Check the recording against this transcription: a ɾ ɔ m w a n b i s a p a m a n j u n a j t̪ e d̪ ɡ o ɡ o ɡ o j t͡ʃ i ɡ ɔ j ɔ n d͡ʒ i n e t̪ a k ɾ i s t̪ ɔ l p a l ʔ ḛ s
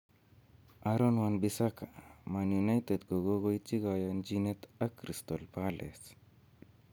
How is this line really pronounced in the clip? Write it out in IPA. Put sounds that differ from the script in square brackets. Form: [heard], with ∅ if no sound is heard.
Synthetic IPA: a ɾ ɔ [n] w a n b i s a [k] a m a n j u n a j t̪ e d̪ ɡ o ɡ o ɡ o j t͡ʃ i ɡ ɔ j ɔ n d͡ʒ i n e t̪ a k ɾ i s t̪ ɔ l p a l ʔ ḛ s

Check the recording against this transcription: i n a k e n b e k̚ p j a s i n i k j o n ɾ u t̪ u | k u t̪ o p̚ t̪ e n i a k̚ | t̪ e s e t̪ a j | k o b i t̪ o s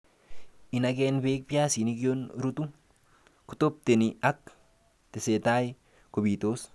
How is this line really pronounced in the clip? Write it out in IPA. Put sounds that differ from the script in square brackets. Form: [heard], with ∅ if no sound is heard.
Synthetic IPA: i n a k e n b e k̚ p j a s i n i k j o n ɾ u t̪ u | k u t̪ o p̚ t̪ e n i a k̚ | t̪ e s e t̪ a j | k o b i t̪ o s

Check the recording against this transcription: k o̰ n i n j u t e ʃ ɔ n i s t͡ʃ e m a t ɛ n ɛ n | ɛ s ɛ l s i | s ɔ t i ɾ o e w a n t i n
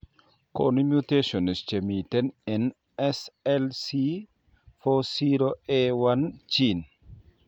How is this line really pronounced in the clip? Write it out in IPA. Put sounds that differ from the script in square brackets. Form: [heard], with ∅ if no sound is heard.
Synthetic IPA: k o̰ n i [m] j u t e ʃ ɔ n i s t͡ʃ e m [i] t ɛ n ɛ n | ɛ s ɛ l s i | [f] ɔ [s] i ɾ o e w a n [t͡ʃ] i n

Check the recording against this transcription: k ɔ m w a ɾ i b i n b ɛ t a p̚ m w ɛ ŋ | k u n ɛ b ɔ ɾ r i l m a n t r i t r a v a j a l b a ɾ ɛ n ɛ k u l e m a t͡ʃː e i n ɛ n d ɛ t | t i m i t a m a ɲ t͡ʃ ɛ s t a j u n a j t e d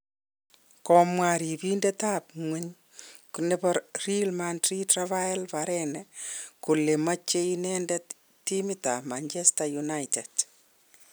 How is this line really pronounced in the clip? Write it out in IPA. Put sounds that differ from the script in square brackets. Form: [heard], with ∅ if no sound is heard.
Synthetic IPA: k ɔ m w a ɾ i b i n [d] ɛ t a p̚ [ŋ] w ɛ [ɲ] | k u n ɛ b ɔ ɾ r i l m a n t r i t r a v a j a l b a ɾ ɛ n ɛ k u l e m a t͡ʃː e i n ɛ n d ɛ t | t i m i t a m a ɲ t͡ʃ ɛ s t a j u n a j t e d

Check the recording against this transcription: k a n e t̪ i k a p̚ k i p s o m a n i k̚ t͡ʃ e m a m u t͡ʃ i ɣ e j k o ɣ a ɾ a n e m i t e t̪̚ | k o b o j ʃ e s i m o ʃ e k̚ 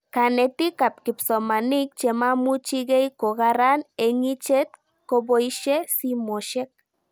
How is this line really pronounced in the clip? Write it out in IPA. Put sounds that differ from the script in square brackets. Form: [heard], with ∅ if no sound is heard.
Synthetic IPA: k a n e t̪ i k a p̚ k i p s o m a n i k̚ t͡ʃ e m a m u t͡ʃ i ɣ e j k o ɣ a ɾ a n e [ŋ] i [t͡ʃ] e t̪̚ | k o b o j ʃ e s i m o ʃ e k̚

